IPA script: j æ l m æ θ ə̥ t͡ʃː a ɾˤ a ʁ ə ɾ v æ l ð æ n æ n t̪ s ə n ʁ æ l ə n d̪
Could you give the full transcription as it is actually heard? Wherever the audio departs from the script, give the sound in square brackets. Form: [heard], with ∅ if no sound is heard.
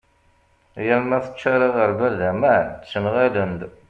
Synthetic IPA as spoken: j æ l m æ θ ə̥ t͡ʃː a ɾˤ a ʁ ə ɾ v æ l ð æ [m] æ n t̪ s ə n ʁ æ l ə n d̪